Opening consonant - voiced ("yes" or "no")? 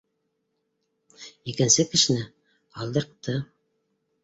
no